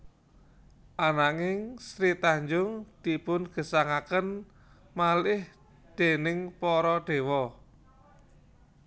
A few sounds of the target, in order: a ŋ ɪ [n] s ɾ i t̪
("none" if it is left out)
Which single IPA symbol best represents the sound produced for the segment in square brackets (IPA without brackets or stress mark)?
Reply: ŋ